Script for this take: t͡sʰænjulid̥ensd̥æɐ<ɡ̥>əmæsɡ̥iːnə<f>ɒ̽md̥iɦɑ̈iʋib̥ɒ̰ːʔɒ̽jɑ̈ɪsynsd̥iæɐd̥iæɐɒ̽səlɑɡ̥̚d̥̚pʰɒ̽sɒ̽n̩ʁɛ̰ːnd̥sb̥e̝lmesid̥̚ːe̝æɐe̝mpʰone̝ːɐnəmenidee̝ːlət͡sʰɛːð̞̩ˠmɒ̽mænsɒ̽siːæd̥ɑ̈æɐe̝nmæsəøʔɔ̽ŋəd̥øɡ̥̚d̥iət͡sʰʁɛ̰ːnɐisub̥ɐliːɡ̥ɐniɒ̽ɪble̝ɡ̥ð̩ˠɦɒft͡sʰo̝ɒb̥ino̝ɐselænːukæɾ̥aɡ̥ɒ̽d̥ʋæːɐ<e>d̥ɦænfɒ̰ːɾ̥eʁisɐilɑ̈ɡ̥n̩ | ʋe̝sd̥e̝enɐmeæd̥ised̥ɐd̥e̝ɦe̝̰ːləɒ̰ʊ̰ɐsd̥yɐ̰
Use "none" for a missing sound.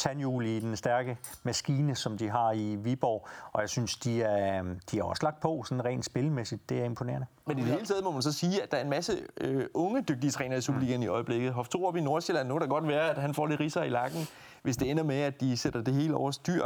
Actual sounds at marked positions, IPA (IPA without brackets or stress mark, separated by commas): ɡ̥, s, æ